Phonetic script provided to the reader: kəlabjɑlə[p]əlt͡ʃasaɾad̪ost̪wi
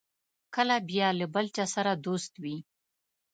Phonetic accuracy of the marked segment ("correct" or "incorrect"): incorrect